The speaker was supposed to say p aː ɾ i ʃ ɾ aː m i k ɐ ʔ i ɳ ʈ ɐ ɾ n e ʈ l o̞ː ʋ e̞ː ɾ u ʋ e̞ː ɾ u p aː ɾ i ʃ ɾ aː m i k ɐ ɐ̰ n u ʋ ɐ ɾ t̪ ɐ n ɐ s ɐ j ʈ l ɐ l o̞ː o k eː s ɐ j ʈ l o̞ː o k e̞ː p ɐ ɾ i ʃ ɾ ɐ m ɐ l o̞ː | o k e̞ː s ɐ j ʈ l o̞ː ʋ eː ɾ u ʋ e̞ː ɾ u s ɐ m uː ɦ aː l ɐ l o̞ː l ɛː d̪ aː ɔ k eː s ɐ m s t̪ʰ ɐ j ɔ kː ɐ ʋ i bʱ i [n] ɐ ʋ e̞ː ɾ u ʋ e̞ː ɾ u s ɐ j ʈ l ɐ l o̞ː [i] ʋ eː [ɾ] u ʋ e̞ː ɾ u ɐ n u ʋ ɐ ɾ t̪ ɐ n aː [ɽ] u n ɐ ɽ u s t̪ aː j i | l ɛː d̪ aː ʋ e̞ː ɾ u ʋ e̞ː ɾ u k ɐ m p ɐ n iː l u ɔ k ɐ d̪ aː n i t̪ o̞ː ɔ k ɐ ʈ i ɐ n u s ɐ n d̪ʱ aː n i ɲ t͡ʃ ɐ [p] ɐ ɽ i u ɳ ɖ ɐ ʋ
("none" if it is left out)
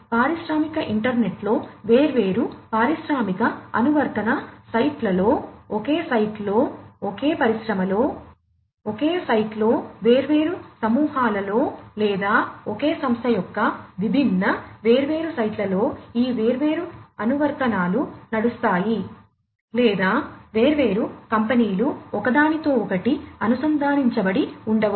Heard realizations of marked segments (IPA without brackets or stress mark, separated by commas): nː, iː, ɾ, l, b